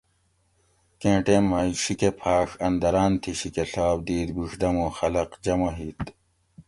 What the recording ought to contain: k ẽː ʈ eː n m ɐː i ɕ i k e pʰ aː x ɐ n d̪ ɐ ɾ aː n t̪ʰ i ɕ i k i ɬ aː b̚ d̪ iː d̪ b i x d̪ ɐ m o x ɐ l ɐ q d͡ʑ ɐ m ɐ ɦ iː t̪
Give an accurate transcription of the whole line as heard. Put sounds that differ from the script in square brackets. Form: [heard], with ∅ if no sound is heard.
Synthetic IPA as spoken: k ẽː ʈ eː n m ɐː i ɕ i k e pʰ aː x ɐ n d̪ ɐ ɾ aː n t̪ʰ i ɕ i k [e] ɬ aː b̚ d̪ iː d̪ b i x d̪ ɐ m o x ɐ l ɐ q d͡ʑ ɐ m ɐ ɦ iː t̪